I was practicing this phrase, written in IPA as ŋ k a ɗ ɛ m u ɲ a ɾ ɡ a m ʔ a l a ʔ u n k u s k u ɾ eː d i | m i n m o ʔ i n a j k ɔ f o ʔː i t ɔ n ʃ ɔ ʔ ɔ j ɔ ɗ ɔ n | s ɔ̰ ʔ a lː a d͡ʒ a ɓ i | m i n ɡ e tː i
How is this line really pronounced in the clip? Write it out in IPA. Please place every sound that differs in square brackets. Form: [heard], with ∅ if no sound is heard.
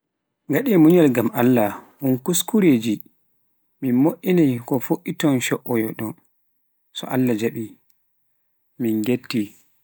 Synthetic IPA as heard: ŋ [ɡ] a ɗ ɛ m u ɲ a [l] ɡ a m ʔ a [lː] a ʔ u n k u s k u ɾ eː [d͡ʒ] i | m i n m o ʔ i n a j k ɔ f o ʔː i t ɔ n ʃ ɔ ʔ ɔ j ɔ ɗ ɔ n | s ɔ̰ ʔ a lː a d͡ʒ a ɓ i | m i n ɡ e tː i